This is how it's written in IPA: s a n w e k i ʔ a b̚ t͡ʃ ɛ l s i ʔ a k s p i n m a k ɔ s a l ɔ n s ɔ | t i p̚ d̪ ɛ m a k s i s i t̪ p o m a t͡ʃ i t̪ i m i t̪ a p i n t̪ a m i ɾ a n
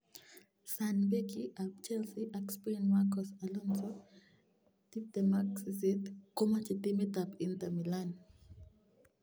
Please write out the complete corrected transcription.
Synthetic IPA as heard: s a n b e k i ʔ a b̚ t͡ʃ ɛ l s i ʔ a k s p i n m a k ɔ s a l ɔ n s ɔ | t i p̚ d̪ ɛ m a k s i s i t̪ k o m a t͡ʃ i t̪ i m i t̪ a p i n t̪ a m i l a n